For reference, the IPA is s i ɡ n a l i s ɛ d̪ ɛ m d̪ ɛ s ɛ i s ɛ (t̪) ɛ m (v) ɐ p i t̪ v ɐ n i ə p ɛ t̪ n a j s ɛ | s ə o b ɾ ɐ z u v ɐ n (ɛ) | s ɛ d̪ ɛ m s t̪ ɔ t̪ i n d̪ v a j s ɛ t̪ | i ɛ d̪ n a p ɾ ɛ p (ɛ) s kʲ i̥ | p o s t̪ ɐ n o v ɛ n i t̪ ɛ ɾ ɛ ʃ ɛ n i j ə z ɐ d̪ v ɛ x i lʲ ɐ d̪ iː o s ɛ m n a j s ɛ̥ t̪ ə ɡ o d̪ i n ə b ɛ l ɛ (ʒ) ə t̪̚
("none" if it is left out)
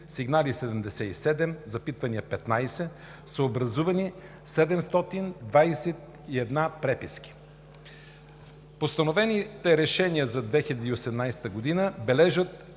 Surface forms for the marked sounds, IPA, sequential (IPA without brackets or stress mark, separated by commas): d̪, z, i, i, ʒ